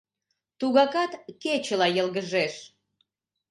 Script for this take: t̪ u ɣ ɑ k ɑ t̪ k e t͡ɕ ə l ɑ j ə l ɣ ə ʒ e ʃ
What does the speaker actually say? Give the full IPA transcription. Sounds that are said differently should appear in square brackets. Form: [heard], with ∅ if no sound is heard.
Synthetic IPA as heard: t̪ u ɣ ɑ k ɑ t̪ k e t͡ɕ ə l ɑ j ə l ɣ ə ʒ e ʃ

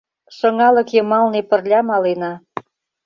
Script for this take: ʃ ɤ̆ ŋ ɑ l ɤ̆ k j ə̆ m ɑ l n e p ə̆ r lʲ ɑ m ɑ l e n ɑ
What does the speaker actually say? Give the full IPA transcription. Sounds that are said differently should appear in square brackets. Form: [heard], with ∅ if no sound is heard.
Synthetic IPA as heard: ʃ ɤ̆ ŋ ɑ l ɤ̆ k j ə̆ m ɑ l n e p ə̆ r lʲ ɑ m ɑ l e n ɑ

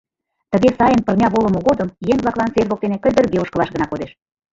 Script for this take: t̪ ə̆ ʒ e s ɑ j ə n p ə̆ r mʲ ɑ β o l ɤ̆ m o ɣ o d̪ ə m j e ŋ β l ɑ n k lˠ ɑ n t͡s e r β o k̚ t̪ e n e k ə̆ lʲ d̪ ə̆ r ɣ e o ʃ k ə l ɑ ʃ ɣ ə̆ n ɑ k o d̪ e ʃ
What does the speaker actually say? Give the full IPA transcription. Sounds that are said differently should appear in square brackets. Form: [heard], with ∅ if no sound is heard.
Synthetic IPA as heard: t̪ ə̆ [ɣ] e s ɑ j ə n p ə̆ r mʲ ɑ β o l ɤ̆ m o ɣ o d̪ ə m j e ŋ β l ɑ [∅] k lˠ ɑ n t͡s e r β o k̚ t̪ e n e k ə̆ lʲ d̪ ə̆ r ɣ e o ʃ k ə l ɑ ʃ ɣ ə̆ n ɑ k o d̪ e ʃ

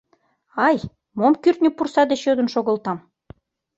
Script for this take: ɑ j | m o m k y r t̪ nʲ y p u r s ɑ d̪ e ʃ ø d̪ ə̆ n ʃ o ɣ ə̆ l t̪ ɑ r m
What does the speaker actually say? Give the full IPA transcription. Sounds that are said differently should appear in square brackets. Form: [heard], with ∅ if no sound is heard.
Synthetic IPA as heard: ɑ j | m o m k y r t̪ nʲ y p u r s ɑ d̪ e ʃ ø d̪ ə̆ n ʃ o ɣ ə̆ l t̪ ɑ [∅] m

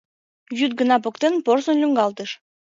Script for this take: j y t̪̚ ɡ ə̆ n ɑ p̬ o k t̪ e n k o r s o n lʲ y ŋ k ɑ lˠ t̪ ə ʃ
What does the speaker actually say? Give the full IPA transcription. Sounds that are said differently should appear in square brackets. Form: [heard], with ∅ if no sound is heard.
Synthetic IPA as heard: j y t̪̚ ɡ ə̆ n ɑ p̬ o k t̪ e n [p] o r s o n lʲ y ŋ [ɡ] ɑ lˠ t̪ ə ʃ

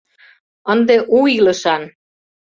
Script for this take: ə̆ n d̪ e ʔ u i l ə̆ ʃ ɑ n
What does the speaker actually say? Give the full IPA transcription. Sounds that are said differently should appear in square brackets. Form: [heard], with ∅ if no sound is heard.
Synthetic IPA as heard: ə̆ n d̪ e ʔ u i l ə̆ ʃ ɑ n

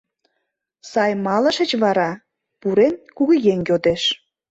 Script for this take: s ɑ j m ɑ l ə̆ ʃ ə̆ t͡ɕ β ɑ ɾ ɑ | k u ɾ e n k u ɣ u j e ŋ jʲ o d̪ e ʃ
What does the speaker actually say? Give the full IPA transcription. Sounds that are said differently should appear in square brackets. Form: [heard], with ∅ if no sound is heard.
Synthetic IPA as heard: s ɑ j m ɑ l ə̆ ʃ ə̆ t͡ɕ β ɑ ɾ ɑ | [p] u ɾ e n k u ɣ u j e ŋ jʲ o d̪ e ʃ

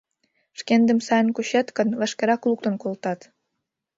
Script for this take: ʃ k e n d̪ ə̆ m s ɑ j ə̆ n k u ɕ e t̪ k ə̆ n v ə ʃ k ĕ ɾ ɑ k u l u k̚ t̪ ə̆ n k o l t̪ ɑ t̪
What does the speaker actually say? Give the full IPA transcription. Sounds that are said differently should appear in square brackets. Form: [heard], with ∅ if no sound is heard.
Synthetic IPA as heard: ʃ k e n d̪ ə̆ m s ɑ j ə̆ n k u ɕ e t̪ k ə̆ n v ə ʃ k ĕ ɾ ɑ k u l u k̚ t̪ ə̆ n k o l t̪ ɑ t̪

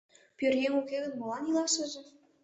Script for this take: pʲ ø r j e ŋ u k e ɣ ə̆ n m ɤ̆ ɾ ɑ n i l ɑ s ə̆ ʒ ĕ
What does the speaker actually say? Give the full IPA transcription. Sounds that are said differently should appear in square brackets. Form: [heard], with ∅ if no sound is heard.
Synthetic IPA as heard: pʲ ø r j e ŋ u k e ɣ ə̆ n m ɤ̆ [l] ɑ n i l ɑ [ʃ] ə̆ ʒ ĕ

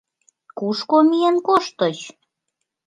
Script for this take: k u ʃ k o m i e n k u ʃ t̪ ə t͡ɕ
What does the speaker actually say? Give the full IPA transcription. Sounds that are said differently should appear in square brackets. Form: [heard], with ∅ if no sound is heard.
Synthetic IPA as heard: k u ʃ k o m i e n k [o] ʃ t̪ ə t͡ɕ

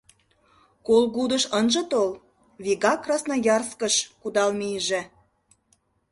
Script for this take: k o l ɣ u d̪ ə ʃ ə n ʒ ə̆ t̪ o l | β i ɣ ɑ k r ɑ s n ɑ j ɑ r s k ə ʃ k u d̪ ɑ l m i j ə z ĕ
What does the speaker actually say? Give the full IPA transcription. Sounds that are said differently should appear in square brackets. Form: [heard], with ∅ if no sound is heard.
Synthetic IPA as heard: k o l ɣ u d̪ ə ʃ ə n ʒ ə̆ t̪ o l | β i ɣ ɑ k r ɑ s n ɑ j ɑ r s k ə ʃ k u d̪ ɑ l m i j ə [ʒ] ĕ

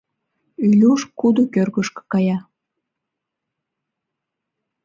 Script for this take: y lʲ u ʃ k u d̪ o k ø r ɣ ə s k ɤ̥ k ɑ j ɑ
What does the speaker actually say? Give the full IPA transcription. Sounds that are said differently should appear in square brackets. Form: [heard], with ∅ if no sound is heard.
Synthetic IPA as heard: y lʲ u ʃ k u d̪ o k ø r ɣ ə [ʃ] k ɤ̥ k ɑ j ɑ

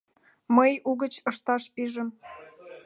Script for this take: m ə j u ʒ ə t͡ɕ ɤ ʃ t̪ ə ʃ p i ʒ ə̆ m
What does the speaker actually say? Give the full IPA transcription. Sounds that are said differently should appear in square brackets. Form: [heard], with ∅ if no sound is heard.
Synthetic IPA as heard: m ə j u [ɣ] ə t͡ɕ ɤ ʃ t̪ [ɑ] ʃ p i ʒ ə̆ m

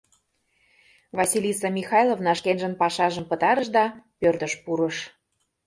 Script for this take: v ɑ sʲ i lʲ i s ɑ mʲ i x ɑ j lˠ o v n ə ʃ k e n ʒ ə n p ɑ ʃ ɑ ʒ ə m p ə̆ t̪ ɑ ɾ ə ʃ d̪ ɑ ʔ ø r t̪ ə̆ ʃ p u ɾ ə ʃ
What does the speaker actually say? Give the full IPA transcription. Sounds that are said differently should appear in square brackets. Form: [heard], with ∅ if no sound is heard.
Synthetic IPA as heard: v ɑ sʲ i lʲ i s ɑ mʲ i x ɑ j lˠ o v n [ɑ] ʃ k e n ʒ ə n p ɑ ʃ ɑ ʒ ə m p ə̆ t̪ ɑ ɾ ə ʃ d̪ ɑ [p] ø r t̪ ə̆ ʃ p u ɾ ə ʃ

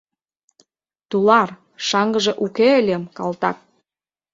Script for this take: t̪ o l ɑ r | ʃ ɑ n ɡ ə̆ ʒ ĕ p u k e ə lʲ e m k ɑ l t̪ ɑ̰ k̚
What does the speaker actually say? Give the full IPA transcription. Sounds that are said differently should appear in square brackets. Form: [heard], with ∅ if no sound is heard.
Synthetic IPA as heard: t̪ [u] l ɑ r | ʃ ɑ [ŋ] ɡ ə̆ ʒ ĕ [ʔ] u k e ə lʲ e m k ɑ l t̪ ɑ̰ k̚

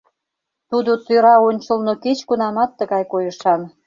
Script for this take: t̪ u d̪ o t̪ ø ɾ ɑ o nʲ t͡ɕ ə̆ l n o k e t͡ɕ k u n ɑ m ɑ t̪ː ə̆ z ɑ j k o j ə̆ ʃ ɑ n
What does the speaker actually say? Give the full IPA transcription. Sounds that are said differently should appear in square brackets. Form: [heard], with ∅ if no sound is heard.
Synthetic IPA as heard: t̪ u d̪ o t̪ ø ɾ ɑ o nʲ t͡ɕ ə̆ l n o k e t͡ɕ k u n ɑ m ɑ t̪ː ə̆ [ɣ] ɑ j k o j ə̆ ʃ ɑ n

